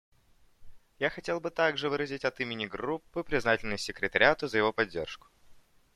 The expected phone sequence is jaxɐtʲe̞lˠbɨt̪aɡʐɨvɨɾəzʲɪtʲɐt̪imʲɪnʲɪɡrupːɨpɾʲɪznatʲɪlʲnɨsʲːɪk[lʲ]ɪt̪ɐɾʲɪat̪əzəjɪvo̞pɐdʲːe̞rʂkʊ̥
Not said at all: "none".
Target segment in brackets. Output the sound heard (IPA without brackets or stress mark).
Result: ɾʲ